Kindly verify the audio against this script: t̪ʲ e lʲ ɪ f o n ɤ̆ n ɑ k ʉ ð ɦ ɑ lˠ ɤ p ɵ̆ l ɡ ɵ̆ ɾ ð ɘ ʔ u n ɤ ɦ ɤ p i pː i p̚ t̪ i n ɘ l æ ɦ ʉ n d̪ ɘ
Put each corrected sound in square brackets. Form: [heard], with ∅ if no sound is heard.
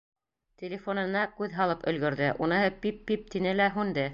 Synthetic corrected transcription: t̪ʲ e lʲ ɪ f o n ɤ̆ n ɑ k ʉ ð ɦ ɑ lˠ ɤ p ɵ̆ l ɡ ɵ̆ ɾ ð ɘ ʔ u n ɤ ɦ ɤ p i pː i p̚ t̪ i n ɘ l æ ɦ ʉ n d̪ ɘ